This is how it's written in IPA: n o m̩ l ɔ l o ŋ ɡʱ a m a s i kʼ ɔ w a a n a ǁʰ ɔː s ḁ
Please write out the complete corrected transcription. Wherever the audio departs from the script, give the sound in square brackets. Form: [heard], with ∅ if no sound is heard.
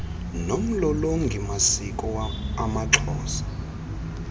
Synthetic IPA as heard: n o m̩ l ɔ l o ŋ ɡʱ [i] m a s i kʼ ɔ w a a [m] a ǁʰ ɔː s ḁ

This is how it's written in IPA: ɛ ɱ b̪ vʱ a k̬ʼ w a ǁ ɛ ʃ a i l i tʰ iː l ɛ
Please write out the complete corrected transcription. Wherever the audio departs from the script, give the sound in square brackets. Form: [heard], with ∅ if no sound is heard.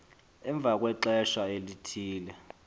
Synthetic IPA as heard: ɛ ɱ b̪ vʱ a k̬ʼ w [ɛ] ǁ ɛ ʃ a [e] l i tʰ iː l ɛ

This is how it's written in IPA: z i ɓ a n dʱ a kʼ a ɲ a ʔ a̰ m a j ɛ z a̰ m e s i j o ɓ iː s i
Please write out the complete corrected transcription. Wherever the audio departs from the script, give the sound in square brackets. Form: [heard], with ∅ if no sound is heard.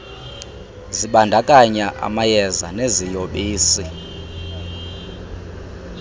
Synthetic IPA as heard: z i ɓ a n dʱ a kʼ a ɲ a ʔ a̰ m a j ɛ z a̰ [n] e [z] i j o ɓ iː s i

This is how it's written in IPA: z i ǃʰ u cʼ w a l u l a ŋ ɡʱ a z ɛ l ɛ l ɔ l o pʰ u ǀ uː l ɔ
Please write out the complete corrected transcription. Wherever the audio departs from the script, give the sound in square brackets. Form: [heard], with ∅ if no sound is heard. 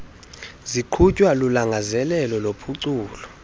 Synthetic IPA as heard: z i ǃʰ u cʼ w a l u l a ŋ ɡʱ a z ɛ l ɛ l ɔ l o pʰ u ǀ uː l ɔ

